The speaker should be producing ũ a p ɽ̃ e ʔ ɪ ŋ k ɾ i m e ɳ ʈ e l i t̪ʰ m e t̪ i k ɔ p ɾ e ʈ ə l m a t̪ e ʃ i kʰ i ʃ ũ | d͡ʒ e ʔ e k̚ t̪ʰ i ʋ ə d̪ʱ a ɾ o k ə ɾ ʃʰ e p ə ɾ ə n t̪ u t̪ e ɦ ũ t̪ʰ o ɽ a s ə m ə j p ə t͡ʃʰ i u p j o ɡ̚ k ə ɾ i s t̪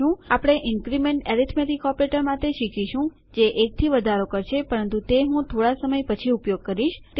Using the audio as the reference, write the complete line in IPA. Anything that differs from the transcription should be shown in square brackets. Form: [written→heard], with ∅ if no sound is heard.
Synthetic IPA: ũ a p ɽ̃ e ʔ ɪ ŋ k ɾ i m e ɳ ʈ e [l→ɾ] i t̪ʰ m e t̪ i k ɔ p ɾ e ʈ ə [l→ɾ] m a t̪ e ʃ i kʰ i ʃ ũ | d͡ʒ e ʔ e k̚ t̪ʰ i ʋ ə d̪ʱ a ɾ o k ə ɾ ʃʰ e p ə ɾ ə n t̪ u t̪ e ɦ ũ t̪ʰ o ɽ a s ə m ə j p ə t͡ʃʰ i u p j o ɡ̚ k ə ɾ i [s→ʃ] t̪